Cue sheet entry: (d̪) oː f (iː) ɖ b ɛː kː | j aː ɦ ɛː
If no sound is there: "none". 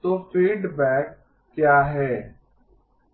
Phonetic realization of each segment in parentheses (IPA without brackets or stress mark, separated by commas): t̪, iː